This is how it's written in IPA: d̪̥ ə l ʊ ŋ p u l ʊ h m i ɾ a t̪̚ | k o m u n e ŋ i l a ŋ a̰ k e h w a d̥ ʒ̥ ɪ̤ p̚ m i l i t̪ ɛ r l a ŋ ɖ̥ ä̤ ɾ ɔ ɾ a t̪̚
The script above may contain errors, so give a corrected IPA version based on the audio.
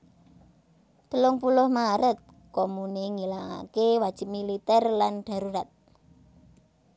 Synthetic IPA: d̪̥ ə l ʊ ŋ p u l ʊ h m a ɾ ə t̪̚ | k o m u n e ŋ i l a ŋ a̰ k e w a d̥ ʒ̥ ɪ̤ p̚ m i l i t̪ ɛ r l a n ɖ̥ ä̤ ɾ u ɾ a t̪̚